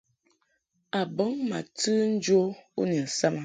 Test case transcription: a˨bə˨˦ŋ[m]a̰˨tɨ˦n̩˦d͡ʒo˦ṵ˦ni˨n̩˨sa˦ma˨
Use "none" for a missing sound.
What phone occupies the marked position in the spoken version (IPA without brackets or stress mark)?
m